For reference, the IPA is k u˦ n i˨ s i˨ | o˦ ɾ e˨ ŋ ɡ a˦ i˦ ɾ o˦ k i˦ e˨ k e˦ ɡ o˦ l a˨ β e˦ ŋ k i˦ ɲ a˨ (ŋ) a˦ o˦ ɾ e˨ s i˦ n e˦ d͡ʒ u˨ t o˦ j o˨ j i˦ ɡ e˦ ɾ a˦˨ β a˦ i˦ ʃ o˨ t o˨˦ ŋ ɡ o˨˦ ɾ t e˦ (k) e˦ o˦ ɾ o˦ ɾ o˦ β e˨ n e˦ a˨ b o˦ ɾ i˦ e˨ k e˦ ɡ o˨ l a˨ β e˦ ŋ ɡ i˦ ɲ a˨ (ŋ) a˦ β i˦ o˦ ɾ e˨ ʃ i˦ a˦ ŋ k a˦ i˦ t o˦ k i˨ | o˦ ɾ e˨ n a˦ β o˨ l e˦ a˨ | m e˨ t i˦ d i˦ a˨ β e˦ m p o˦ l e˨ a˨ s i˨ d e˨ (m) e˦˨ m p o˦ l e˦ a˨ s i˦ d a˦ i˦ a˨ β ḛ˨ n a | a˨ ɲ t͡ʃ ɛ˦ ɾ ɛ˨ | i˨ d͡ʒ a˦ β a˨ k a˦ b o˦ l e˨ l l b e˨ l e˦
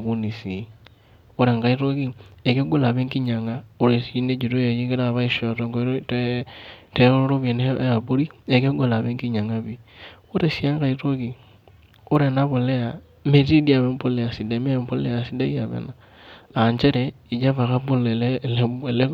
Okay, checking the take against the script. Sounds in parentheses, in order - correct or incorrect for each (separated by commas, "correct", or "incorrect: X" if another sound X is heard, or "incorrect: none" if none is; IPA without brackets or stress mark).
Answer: correct, incorrect: t, correct, correct